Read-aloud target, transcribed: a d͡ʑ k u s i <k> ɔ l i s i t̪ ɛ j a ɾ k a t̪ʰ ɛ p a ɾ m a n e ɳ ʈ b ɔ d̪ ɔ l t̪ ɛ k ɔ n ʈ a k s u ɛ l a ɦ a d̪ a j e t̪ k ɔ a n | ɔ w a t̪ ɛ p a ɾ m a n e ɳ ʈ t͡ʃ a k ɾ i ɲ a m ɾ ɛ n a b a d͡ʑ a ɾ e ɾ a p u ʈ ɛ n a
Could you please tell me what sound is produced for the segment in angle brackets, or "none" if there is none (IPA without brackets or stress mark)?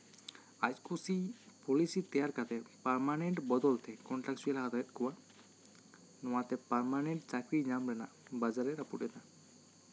p